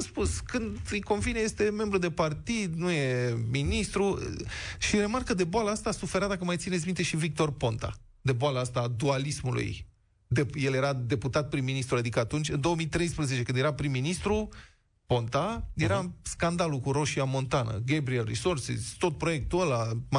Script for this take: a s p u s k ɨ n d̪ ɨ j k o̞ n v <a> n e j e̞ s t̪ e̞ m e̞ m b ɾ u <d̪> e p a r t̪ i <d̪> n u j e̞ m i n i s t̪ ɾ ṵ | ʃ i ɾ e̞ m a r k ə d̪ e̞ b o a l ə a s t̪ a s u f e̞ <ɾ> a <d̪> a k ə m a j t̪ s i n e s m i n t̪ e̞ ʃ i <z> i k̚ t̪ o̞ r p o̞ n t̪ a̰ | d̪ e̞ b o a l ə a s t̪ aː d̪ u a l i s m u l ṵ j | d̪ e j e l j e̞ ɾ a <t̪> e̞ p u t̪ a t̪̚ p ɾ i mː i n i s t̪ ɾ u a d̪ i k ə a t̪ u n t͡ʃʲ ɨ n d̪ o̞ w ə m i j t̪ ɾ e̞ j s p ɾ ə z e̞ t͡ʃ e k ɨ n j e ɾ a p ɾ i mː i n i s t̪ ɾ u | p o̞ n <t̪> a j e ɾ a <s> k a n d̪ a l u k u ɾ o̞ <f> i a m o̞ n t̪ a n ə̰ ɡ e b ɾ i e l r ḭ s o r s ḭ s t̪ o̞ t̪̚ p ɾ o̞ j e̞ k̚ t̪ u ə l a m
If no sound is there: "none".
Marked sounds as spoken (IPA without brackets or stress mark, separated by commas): i, d̪, d̪, ɾ, d̪, v, d̪, t̪, s, ʃ